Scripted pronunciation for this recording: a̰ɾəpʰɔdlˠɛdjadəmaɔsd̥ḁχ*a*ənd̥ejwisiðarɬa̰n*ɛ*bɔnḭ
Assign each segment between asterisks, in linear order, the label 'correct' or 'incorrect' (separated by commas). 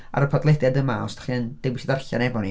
incorrect, correct